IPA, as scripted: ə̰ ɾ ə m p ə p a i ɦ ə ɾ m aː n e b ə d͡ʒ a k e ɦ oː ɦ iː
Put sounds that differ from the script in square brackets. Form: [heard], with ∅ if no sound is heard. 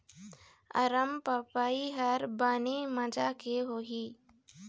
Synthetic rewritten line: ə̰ ɾ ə m p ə p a i ɦ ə ɾ [b] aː n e [m] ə d͡ʒ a k e ɦ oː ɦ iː